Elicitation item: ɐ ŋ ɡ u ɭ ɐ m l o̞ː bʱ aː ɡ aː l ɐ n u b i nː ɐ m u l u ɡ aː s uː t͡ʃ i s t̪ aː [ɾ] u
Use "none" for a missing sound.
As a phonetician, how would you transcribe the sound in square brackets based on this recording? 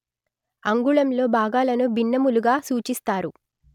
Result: ɾ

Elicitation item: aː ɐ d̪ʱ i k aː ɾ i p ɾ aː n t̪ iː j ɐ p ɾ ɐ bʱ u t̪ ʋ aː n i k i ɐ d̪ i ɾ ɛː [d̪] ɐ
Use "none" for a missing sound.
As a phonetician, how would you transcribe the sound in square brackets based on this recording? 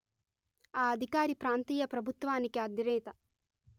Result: t̪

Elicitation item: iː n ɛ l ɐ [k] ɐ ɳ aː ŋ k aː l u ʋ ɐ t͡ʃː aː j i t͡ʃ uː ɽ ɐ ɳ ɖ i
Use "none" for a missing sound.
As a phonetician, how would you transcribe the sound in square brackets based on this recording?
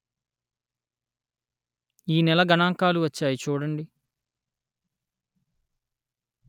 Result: ɡ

